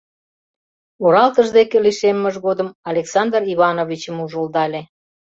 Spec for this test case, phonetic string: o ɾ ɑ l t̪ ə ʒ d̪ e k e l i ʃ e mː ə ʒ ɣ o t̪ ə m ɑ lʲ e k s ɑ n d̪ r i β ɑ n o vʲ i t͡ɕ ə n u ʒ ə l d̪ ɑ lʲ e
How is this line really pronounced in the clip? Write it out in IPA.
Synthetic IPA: o ɾ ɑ l t̪ ə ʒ d̪ e k e l i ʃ e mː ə ʒ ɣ o d̪ ə m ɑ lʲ e k s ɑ n d̪ r i β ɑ n o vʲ i t͡ɕ ə m u ʒ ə l d̪ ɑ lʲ e